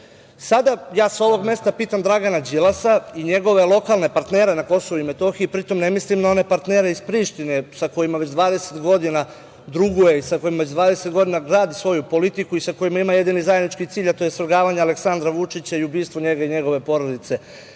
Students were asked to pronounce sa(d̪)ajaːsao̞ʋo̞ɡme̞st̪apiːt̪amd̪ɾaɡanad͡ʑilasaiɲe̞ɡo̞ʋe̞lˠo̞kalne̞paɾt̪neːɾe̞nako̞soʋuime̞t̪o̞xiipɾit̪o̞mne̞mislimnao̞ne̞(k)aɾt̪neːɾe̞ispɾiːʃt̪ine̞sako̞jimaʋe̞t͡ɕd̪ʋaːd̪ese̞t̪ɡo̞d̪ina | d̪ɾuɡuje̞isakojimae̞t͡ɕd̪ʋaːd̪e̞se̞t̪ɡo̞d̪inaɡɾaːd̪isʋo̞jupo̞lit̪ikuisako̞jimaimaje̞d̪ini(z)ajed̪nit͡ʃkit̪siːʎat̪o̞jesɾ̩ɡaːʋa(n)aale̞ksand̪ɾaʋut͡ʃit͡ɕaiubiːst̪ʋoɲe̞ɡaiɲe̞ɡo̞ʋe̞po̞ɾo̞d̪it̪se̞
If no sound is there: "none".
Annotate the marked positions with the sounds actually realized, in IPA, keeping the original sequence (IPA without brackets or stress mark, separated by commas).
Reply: d̪, p, z, ɲ